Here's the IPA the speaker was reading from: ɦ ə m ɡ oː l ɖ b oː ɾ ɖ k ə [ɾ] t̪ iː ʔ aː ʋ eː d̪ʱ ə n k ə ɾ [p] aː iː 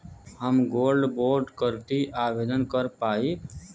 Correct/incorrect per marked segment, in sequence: correct, correct

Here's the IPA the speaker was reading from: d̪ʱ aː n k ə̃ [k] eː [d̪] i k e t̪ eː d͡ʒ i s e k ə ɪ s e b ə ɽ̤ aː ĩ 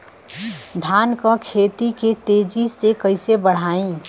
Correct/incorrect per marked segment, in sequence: incorrect: kʰ, incorrect: t̪

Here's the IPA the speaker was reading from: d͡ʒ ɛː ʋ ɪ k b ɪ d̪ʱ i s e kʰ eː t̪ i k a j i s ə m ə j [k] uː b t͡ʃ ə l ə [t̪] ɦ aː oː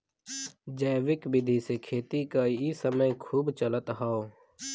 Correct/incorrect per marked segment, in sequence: incorrect: kʰ, correct

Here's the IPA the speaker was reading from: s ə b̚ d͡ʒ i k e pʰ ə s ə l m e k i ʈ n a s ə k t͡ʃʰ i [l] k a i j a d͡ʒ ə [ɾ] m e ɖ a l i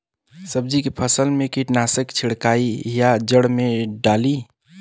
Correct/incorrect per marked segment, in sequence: incorrect: ɽ, incorrect: ɽ

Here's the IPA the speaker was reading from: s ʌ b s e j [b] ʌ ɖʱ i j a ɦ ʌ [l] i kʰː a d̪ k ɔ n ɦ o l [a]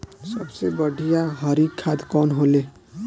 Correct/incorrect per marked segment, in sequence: correct, incorrect: ɾ, incorrect: e

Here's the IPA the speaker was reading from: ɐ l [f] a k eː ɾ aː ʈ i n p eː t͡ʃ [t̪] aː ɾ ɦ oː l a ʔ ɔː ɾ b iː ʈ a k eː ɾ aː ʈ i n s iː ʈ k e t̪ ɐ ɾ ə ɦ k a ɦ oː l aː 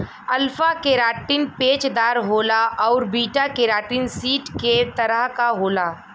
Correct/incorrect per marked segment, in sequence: correct, incorrect: d̪

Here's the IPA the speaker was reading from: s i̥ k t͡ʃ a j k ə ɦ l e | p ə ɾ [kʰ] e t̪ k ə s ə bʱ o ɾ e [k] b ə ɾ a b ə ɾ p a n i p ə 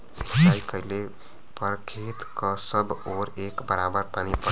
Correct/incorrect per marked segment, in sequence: correct, correct

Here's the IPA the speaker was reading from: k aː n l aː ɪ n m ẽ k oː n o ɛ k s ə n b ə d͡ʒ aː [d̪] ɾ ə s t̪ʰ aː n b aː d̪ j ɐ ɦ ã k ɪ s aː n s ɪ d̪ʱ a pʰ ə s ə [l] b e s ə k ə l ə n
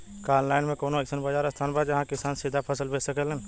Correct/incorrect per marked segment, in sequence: incorrect: none, correct

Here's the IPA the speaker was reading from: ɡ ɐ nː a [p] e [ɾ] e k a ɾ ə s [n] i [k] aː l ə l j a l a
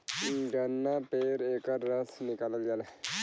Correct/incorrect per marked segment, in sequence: correct, correct, correct, correct

